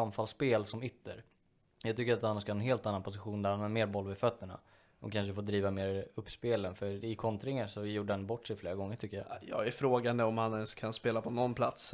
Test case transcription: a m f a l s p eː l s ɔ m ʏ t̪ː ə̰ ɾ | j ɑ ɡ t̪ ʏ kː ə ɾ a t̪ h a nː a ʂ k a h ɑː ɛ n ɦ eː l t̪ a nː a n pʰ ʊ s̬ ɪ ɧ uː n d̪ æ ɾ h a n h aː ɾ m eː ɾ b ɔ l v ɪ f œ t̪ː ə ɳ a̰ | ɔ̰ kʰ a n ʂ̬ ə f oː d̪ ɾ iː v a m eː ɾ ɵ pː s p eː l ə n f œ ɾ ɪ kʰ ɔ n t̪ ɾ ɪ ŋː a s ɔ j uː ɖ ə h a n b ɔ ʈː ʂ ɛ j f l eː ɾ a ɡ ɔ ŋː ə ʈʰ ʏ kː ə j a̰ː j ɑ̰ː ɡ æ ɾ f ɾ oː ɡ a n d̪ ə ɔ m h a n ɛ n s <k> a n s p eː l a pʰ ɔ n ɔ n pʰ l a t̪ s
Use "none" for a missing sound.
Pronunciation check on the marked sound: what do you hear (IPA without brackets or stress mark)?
kʰ